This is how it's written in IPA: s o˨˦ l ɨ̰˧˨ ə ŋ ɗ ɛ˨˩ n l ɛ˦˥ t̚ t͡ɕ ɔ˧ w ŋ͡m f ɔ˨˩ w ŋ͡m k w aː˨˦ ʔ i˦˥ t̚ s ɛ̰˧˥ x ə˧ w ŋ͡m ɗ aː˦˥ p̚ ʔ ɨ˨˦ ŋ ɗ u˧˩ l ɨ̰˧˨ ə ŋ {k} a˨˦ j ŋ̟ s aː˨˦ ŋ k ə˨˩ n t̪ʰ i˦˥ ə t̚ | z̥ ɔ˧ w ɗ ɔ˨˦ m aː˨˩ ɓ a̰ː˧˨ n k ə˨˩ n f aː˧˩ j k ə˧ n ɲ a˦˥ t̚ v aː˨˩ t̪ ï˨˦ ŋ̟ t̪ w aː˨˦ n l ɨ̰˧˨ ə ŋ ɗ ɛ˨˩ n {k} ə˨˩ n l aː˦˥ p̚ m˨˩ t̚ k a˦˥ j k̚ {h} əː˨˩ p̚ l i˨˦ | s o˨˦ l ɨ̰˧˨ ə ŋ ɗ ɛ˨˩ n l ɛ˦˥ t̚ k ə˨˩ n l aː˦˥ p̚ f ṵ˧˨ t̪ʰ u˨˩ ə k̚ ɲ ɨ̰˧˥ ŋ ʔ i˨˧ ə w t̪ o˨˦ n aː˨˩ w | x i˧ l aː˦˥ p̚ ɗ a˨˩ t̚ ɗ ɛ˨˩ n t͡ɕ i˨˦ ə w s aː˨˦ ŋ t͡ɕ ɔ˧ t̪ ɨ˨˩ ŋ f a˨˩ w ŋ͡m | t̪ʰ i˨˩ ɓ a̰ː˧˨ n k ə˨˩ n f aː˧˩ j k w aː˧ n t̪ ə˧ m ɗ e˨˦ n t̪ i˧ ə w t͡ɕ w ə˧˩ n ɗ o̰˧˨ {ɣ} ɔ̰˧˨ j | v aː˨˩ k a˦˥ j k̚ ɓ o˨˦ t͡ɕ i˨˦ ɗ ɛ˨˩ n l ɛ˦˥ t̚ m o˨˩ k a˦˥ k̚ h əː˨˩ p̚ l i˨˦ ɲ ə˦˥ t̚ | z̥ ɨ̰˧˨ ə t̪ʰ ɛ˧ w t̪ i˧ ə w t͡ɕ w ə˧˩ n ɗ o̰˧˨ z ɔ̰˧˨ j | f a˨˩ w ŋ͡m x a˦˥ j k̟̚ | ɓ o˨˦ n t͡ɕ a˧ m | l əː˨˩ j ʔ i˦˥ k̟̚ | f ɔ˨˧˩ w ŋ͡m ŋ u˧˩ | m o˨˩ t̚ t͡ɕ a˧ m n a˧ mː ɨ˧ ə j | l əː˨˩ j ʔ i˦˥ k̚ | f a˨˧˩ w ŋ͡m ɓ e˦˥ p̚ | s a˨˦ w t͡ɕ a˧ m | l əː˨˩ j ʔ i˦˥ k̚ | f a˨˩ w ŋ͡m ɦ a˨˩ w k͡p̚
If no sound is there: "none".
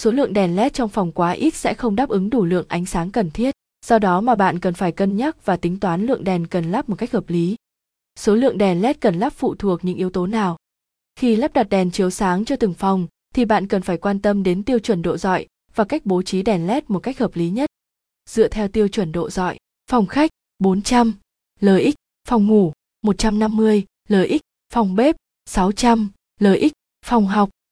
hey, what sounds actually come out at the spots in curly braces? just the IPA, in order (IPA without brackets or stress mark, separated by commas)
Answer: ʔ, k, h, z